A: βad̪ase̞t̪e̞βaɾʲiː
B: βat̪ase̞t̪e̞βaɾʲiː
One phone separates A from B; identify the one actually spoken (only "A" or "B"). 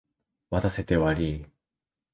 B